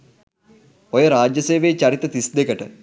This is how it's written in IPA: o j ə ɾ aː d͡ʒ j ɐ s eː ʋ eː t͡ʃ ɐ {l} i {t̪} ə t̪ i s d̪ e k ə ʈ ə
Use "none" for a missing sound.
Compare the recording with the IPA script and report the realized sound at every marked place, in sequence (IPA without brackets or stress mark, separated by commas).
ɾ, t̪